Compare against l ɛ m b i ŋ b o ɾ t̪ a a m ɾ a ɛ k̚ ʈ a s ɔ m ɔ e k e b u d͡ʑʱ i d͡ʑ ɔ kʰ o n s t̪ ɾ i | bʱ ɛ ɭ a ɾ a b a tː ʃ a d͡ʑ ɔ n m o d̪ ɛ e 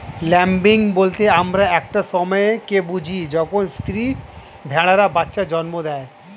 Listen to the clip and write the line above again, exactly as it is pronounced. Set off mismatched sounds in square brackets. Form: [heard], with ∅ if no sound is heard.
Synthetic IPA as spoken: l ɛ m b i ŋ b o [l] t̪ [e] a m ɾ a ɛ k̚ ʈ a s ɔ m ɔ e k e b u d͡ʑʱ i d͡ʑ ɔ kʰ o n s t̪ ɾ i | bʱ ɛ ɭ a ɾ a b a tː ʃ a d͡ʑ ɔ n m o d̪ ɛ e